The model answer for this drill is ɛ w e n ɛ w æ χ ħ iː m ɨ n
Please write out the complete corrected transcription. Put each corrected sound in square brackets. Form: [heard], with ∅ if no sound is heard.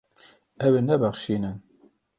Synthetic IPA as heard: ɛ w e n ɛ [b] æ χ [ʃ] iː [n] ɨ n